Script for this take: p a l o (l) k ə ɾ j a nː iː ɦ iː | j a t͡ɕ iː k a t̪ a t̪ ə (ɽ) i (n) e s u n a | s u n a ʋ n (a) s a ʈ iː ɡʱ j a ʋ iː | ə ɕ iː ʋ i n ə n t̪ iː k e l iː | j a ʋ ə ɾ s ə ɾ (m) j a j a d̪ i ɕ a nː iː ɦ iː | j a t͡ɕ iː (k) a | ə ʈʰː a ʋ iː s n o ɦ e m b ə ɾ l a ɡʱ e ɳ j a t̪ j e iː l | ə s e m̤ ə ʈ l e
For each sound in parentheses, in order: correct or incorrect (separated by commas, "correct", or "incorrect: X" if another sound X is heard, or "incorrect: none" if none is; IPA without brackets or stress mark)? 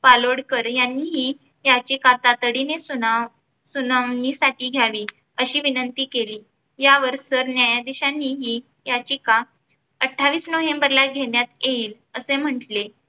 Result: incorrect: ɽ, correct, correct, incorrect: i, incorrect: n, correct